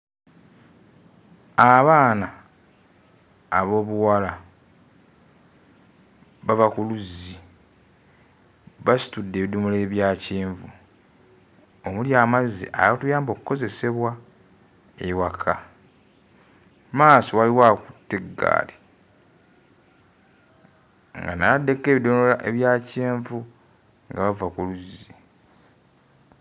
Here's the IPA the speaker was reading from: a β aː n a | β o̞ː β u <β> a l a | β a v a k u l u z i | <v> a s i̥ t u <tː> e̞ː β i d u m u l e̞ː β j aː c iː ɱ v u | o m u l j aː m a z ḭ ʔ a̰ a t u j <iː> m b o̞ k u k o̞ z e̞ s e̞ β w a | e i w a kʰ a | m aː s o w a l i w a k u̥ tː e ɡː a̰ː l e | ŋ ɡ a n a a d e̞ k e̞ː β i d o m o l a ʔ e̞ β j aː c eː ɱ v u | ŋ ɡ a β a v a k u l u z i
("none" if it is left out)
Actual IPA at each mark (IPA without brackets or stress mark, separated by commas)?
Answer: w, β, dː, aː